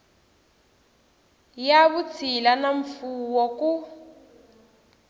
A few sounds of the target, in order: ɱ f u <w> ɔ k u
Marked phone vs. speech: correct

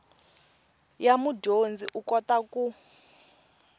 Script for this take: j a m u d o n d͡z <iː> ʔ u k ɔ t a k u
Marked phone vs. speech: incorrect: i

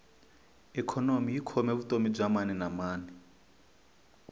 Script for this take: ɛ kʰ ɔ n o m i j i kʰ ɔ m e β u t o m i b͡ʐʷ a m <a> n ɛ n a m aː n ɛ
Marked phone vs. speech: correct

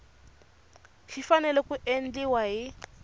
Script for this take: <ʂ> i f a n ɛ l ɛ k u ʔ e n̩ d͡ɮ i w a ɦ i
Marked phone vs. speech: incorrect: ʃ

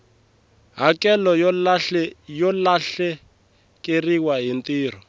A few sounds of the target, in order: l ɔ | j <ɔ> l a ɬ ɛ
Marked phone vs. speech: correct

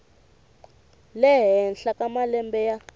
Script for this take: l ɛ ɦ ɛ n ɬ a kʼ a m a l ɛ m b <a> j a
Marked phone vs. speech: incorrect: ɛ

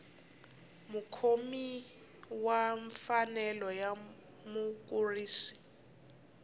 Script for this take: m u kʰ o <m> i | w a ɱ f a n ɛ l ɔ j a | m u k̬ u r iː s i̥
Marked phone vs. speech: correct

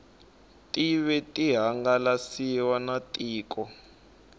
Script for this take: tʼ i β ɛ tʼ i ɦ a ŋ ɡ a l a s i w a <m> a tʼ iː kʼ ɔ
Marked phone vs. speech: incorrect: n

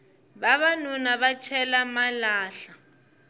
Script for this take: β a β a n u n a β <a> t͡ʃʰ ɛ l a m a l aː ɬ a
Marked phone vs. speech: correct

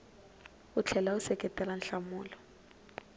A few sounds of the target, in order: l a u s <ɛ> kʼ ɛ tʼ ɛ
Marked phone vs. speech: correct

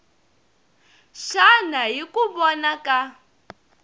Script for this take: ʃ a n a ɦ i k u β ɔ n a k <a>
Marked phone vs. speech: correct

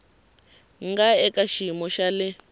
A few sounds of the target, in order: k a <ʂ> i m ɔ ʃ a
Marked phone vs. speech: incorrect: ʃ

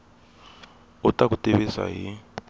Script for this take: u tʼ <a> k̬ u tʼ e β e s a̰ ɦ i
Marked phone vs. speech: correct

